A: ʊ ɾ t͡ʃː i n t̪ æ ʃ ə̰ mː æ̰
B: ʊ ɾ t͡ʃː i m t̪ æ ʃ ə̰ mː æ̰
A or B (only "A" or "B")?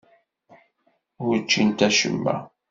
A